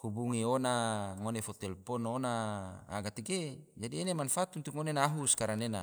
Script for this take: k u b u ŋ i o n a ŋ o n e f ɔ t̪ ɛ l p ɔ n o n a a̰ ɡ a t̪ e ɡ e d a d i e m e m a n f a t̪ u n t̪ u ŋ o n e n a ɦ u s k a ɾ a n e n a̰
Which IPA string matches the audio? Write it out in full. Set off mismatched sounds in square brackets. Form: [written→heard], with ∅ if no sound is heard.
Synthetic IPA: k u b u ŋ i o n a ŋ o n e f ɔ t̪ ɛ l p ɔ n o n a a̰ ɡ a t̪ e ɡ e [d→d͡ʒ] a d i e [m→n] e m a n f a t̪ u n t̪ u ŋ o n e n a ɦ u s k a ɾ a n e n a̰